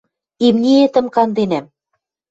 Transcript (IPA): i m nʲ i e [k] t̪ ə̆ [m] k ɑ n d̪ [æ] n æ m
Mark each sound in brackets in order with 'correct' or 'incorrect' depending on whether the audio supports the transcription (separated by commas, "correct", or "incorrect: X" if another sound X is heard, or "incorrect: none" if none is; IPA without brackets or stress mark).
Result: incorrect: none, correct, incorrect: e